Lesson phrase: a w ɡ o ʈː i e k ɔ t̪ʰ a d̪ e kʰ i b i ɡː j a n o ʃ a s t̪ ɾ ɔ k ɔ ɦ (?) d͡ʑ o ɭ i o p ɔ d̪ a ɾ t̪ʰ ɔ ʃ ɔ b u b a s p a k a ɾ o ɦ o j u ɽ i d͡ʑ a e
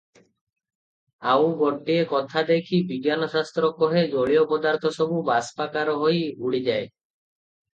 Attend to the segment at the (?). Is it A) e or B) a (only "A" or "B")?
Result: A